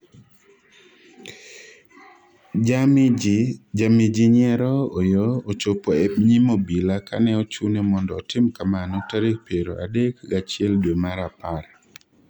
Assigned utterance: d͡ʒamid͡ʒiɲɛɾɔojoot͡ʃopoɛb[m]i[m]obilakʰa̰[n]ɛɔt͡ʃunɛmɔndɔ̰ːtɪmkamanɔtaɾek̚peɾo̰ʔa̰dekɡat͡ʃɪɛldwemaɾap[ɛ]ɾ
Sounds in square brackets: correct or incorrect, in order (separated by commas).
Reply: incorrect, correct, correct, incorrect